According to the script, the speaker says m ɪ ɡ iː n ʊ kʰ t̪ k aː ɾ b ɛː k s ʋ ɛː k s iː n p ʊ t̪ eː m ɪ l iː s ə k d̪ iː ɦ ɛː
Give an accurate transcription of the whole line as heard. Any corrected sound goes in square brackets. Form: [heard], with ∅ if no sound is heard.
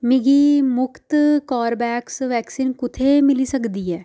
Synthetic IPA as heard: m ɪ ɡ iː [m] ʊ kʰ t̪ k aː ɾ b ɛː k s ʋ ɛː k s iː n [k] ʊ [t̪ʰ] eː m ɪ l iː s ə k d̪ iː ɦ ɛː

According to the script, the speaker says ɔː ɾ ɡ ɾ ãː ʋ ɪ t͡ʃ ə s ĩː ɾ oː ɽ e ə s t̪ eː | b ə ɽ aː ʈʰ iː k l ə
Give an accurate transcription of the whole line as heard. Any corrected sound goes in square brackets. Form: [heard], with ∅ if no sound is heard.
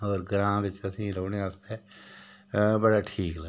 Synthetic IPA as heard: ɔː ɾ ɡ ɾ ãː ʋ ɪ t͡ʃ ə s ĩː ɾ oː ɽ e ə s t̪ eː | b ə ɽ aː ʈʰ iː k l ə

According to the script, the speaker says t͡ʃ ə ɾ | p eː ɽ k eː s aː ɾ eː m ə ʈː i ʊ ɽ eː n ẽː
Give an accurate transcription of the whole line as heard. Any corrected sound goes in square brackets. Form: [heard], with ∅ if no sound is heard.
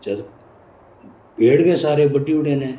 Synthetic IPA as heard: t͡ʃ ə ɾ | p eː ɽ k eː s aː ɾ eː [b] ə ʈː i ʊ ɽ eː n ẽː

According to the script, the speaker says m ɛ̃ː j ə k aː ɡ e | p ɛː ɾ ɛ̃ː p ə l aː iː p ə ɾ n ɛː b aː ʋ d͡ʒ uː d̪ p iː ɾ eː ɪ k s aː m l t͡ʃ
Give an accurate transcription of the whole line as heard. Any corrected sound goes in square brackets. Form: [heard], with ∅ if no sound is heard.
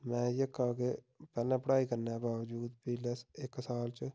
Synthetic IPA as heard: m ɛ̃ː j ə k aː ɡ e | p ɛː [l] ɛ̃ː p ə [ɽ] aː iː [k] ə ɾ n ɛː b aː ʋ d͡ʒ uː d̪ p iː [l] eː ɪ k s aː [∅] l t͡ʃ

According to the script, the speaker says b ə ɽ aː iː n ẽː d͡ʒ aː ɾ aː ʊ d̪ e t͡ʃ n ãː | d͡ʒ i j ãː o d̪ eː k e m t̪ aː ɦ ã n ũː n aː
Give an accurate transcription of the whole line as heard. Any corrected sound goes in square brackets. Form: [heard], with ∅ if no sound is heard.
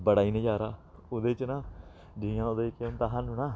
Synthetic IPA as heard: b ə ɽ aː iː n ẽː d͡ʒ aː ɾ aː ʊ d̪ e t͡ʃ n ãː | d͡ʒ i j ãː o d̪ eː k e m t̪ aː ɦ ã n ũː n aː

